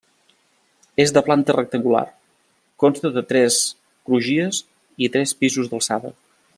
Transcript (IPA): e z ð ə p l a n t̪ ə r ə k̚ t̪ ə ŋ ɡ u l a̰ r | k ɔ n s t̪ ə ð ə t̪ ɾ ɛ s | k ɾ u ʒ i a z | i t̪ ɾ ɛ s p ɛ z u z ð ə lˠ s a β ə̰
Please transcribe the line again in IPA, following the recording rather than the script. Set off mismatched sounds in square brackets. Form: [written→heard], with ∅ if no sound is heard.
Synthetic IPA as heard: e z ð ə p l a n t̪ ə r ə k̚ t̪ ə ŋ ɡ u l a̰ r | k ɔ n s t̪ ə ð ə t̪ ɾ ɛ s | k ɾ u ʒ i [a→ə] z | i t̪ ɾ ɛ s p [ɛ→i] z u z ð ə lˠ s a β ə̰